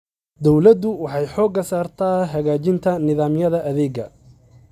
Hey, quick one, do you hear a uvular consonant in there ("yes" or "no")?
no